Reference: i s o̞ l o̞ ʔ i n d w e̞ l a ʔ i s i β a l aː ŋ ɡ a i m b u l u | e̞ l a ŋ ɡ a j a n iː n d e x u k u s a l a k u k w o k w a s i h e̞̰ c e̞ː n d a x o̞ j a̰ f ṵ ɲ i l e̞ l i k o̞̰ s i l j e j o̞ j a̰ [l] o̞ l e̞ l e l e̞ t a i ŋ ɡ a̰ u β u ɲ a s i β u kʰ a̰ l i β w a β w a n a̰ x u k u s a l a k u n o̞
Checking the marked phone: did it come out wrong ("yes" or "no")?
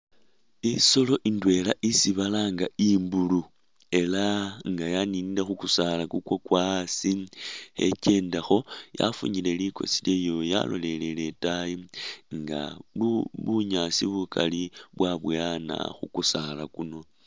no